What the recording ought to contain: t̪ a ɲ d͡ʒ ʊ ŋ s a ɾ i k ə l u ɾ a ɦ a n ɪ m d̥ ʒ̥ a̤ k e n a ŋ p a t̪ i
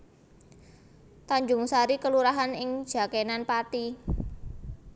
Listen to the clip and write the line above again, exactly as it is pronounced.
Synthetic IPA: t̪ a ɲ d͡ʒ ʊ ŋ s a ɾ i k ə l u ɾ a ɦ a n ɪ ŋ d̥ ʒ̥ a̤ k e n a n p a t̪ i